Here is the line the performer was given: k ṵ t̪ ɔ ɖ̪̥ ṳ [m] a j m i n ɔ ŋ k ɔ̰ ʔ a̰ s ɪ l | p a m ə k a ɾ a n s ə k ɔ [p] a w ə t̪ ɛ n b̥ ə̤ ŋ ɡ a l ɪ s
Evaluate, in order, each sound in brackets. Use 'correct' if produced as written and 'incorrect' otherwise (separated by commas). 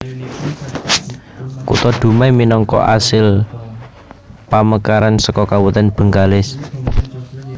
correct, incorrect